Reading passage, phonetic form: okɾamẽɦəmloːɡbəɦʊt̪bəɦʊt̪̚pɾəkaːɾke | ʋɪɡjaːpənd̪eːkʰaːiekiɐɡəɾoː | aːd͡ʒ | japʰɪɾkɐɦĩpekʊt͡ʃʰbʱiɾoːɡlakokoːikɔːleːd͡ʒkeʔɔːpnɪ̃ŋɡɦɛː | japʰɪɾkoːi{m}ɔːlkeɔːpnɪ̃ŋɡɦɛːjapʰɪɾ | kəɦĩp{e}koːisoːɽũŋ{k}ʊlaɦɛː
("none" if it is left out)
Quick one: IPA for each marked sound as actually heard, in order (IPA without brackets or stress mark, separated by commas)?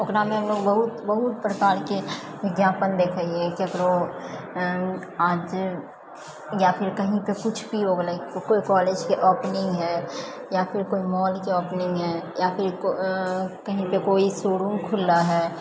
m, e, kʰ